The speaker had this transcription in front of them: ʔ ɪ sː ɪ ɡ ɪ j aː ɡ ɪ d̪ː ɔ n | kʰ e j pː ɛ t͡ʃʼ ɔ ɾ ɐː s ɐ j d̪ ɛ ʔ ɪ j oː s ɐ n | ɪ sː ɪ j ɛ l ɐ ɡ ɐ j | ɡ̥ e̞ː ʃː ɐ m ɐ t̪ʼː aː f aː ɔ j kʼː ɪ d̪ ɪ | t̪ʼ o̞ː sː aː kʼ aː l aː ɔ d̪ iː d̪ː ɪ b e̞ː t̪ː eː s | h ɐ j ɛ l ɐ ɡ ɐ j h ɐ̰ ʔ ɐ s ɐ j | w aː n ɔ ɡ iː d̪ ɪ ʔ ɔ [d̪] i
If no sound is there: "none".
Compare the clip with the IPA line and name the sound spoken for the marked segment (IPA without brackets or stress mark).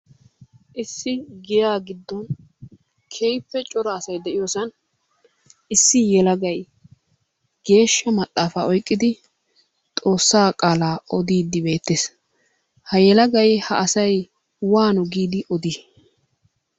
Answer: d̪